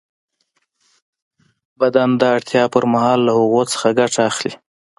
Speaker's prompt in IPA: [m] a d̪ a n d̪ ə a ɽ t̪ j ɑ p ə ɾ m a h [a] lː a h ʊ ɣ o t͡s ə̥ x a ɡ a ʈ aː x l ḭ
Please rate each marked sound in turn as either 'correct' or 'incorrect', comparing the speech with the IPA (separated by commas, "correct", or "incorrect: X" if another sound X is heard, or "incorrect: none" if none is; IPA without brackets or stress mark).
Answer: incorrect: b, incorrect: ɑ